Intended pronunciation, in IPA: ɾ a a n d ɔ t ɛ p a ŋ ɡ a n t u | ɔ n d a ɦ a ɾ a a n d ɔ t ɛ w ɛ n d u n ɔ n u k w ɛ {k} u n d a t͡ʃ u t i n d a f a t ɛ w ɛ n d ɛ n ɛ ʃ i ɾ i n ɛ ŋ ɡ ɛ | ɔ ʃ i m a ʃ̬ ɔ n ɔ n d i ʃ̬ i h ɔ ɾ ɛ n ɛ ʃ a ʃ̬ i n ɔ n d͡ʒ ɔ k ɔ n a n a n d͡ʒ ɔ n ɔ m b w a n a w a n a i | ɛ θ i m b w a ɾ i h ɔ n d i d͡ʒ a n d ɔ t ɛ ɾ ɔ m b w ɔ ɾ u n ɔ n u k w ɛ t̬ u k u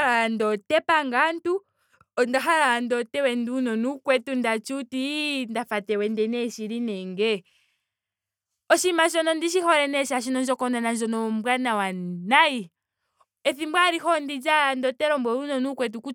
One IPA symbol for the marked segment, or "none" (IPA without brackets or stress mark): t